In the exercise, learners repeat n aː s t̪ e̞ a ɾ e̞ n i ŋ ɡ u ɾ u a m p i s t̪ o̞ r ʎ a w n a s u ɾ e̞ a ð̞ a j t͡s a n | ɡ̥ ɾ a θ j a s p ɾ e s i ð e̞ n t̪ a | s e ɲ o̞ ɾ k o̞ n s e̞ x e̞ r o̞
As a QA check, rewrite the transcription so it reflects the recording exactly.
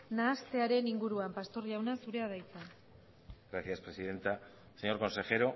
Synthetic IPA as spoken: n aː s t̪ e̞ a ɾ e̞ n i ŋ ɡ u ɾ u a m p a s t̪ o̞ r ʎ a w n a s u ɾ e̞ a ð̞ a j t͡s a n | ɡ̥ ɾ a θ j a s p ɾ e s i ð e̞ n t̪ a | s e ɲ o̞ ɾ k o̞ n s e̞ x e̞ ɾ o̞